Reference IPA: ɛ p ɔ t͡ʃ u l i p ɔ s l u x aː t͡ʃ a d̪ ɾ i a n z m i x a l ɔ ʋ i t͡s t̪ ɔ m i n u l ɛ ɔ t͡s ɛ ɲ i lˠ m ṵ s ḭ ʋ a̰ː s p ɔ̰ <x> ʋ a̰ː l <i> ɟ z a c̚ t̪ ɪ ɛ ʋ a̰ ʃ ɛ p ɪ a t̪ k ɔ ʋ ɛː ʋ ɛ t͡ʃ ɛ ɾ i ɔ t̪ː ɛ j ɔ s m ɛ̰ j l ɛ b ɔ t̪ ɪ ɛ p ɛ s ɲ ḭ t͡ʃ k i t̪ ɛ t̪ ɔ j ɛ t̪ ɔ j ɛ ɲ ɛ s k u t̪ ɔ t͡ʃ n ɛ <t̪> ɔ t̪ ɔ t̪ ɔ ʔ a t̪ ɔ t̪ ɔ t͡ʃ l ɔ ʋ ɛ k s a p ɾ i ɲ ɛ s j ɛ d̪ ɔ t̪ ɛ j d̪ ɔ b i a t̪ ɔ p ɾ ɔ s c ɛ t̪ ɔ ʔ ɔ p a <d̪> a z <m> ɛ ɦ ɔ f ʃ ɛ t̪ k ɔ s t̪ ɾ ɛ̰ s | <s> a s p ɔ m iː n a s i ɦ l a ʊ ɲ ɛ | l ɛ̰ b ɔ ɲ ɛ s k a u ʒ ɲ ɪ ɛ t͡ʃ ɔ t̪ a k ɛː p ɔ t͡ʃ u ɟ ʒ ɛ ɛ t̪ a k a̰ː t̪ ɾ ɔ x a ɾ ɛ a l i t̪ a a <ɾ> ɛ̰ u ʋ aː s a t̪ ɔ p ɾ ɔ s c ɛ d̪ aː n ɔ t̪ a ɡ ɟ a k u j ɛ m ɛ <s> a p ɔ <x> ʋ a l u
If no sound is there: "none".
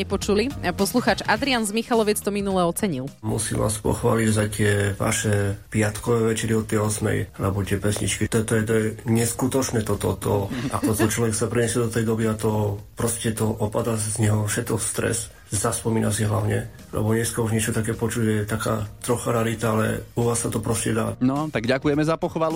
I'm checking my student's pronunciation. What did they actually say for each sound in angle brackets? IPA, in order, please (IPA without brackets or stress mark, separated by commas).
x, i, t̪, d̪, ɲ, z, l, z, x